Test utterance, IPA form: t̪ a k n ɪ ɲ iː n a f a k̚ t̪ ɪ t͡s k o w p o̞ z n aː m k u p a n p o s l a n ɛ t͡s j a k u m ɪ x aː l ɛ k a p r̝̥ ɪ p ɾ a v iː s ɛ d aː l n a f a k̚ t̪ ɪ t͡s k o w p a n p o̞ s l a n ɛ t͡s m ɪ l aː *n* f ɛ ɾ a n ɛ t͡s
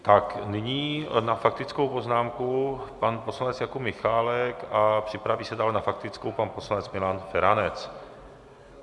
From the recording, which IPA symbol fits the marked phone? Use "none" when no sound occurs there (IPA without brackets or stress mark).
n